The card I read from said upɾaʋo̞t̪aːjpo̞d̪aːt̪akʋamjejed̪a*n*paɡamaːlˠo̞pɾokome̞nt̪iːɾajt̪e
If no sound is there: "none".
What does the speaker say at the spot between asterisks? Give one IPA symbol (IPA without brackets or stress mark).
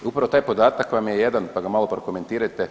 n